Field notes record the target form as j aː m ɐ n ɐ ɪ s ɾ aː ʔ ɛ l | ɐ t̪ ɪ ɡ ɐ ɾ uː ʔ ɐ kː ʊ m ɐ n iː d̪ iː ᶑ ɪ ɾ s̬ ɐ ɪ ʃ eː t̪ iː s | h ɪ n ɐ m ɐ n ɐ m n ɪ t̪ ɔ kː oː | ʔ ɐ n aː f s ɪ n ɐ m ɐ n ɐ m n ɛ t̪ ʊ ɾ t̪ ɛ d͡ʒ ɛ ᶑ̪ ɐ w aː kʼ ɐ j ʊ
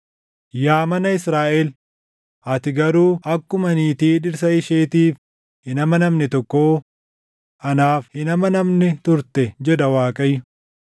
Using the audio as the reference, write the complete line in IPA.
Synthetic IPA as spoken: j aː m ɐ n ɐ ɪ s ɾ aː ʔ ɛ l | ɐ t̪ ɪ ɡ ɐ ɾ uː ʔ ɐ kː ʊ m ɐ n iː t̪ iː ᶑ ɪ ɾ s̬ ɐ ɪ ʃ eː t̪ iː f | h ɪ n ɐ m ɐ n ɐ m n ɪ t̪ ɔ kː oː | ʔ ɐ n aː f h ɪ n ɐ m ɐ n ɐ m n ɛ t̪ ʊ ɾ t̪ ɛ d͡ʒ ɛ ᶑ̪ ɐ w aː kʼ ɐ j ʊ